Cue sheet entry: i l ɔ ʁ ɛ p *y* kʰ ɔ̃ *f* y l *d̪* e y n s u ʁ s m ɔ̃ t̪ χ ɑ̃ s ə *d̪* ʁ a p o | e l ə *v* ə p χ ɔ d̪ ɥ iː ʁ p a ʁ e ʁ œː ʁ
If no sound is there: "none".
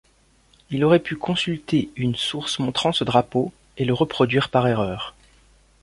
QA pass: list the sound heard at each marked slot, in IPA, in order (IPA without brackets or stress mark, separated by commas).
y, s, t̪, d̪, ʁ